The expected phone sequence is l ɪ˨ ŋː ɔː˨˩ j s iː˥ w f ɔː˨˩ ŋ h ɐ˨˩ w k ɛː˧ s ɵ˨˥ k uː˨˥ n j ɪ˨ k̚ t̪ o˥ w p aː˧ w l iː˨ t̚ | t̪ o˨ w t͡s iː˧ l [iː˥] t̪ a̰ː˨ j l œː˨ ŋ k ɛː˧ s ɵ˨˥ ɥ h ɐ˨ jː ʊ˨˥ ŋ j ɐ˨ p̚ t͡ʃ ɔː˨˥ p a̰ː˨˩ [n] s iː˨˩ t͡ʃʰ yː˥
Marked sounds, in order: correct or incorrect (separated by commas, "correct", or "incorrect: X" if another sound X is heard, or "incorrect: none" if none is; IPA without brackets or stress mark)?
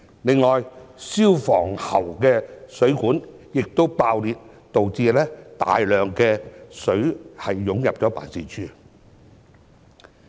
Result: incorrect: ɛː˥, correct